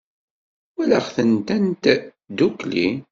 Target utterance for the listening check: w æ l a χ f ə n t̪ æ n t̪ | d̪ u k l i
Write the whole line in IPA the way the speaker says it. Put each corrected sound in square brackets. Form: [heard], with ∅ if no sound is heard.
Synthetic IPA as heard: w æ l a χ [θ] ə n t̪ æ n t̪ | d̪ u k l i